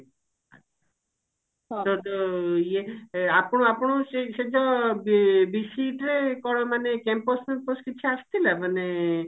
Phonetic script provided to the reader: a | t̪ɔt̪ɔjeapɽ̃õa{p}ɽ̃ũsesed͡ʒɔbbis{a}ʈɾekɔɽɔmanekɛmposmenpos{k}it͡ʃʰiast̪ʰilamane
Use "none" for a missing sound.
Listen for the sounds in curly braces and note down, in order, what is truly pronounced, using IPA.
p, i, k

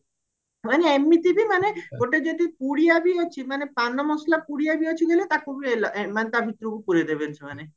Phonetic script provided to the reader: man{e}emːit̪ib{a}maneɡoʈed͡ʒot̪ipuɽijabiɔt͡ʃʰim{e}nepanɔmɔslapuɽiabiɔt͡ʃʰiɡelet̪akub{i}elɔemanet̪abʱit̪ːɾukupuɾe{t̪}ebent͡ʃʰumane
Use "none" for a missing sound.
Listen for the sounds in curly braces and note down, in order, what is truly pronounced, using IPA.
e, i, a, i, d̪

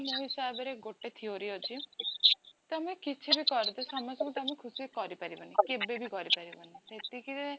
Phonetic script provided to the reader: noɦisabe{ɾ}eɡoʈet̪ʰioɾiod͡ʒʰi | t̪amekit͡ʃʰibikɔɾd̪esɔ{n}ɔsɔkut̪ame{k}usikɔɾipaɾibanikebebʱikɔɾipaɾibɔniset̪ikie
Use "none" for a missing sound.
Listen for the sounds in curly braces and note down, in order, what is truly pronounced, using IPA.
ɾ, m, kʰ

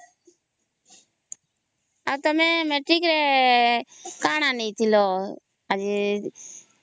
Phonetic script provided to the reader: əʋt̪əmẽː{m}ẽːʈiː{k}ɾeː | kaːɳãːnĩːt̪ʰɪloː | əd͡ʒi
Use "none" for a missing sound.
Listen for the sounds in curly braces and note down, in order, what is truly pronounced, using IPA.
m, k

